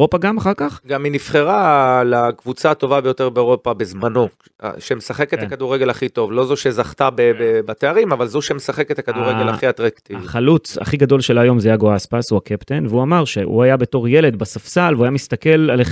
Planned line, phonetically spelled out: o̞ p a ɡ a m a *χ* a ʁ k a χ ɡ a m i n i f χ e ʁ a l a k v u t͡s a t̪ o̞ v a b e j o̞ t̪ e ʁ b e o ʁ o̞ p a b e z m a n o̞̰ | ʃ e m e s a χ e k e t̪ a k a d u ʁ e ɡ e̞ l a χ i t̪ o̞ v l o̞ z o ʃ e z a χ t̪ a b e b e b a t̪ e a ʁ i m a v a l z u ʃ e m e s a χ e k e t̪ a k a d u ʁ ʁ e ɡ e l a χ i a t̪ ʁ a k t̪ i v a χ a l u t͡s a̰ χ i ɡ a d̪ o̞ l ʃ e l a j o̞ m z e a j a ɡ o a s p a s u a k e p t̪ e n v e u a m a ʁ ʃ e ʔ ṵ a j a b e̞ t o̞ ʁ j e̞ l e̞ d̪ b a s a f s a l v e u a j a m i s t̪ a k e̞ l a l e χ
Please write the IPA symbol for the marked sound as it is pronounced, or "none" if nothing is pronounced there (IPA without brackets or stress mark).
χ